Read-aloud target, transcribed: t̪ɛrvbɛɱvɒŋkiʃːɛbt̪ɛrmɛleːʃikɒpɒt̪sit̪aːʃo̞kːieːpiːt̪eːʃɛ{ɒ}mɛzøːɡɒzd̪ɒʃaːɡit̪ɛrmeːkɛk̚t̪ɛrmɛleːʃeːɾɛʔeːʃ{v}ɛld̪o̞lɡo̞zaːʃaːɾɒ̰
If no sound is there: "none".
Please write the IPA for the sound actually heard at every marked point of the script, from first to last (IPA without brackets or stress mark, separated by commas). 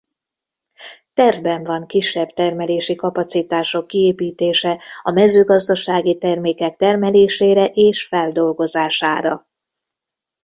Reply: ɒ, f